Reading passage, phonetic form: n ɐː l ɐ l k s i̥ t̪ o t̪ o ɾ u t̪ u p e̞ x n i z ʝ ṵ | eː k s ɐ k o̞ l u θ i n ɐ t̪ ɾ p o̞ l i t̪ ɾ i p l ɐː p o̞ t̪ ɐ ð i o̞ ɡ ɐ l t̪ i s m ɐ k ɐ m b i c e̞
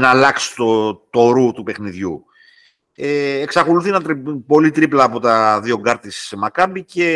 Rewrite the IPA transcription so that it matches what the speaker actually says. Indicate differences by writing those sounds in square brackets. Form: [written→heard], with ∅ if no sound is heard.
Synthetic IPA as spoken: n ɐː l ɐ [l→∅] k s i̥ t̪ o t̪ o ɾ u t̪ u p e̞ x n i [z→ð] ʝ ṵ | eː k s ɐ k o̞ l u θ i n ɐ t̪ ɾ p o̞ l i t̪ ɾ i p l ɐː p o̞ t̪ ɐ ð i o̞ ɡ ɐ [l→ɾ] t̪ i s m ɐ k ɐ m b i c e̞